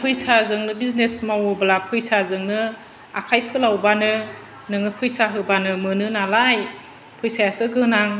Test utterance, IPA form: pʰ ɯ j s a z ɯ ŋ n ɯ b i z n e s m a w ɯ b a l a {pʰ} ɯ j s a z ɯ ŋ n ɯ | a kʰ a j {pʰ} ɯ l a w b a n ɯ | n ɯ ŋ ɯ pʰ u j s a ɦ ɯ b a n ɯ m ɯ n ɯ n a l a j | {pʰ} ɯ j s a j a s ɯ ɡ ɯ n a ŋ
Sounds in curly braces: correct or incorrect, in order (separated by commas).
correct, correct, correct